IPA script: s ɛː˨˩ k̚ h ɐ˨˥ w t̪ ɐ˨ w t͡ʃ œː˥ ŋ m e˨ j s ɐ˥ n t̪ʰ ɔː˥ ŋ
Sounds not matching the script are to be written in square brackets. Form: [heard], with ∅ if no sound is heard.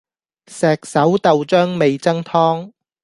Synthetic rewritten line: s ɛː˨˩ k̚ [s] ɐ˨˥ w t̪ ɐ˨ w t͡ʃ œː˥ ŋ m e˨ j [t͡s] ɐ˥ [ŋ] t̪ʰ ɔː˥ ŋ